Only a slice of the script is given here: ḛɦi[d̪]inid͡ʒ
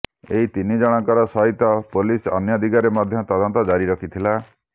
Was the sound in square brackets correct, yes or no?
no